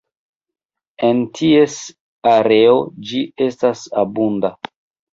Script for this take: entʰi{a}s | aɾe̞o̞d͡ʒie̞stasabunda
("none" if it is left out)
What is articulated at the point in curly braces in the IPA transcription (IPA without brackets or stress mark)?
e